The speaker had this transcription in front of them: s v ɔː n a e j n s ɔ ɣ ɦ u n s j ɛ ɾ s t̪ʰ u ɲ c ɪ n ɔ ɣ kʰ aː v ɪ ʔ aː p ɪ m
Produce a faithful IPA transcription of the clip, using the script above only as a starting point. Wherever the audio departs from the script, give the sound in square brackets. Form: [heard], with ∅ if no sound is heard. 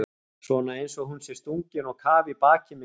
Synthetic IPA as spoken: s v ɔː n a e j n s ɔ ɣ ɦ u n s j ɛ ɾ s [t̪] u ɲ c ɪ n ɔ ɣ kʰ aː v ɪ [p] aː [c] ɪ m